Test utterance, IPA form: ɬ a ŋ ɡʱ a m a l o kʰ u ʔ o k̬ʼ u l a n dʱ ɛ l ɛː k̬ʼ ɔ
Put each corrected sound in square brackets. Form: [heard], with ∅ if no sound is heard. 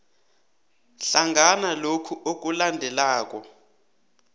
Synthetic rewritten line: ɬ a ŋ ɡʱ a [n] a l o kʰ u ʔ o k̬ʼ u l a n dʱ ɛ l [aː] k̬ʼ ɔ